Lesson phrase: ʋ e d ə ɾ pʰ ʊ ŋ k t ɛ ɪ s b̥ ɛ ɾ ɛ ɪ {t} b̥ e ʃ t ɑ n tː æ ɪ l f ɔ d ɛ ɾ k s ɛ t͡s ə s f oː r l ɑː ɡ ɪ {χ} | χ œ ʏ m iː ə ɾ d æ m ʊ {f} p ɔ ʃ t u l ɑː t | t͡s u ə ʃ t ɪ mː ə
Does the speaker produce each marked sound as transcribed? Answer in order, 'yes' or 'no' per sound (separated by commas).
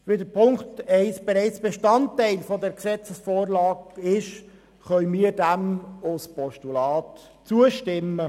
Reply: no, no, no